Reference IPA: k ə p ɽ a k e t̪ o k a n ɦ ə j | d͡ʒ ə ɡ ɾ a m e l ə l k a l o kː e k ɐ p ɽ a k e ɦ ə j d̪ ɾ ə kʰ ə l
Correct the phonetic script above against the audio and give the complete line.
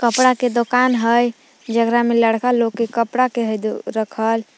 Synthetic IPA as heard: k ə p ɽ a k e d̪ o k a n ɦ ə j | d͡ʒ ə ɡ ɾ a m e l ə ɽ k a l o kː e k ə p ɽ a k e ɦ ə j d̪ ɾ ə kʰ ə l